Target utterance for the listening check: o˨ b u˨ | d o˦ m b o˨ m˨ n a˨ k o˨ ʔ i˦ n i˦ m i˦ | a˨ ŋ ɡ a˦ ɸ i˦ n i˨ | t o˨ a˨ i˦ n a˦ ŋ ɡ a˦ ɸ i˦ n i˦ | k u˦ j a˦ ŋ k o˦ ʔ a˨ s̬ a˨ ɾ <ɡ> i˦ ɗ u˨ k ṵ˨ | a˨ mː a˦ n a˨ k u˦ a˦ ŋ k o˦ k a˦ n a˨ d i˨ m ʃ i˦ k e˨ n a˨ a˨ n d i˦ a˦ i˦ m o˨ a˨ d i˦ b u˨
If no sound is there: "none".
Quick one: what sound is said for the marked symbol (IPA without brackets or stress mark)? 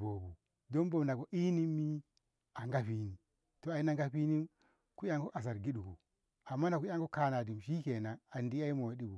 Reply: ɡ